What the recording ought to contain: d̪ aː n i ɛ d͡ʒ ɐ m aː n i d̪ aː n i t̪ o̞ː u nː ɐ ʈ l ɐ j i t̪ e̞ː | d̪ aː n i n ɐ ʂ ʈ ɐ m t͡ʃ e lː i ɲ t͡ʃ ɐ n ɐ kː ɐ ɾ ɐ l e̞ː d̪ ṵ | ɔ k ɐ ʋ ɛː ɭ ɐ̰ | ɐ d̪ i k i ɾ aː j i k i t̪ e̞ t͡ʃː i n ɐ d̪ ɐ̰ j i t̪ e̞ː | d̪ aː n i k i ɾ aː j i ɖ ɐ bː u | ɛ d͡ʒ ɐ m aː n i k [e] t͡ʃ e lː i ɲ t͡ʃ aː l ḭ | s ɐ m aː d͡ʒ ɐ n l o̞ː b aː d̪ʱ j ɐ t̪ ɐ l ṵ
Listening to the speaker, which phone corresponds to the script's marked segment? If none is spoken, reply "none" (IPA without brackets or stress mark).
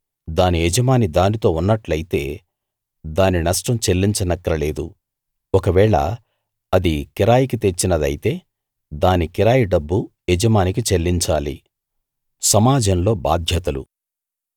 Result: i